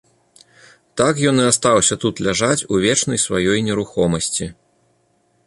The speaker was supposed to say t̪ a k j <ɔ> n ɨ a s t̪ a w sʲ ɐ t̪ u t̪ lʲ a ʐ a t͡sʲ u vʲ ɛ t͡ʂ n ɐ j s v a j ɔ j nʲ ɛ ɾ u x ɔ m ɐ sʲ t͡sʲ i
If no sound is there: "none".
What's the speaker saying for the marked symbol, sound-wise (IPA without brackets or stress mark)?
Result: ɔ